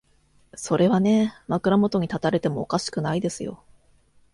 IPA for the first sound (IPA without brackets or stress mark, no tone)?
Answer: s